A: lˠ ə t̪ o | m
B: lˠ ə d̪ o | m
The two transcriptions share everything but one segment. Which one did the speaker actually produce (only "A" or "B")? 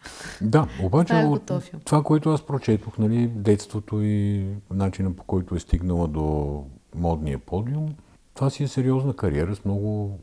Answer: B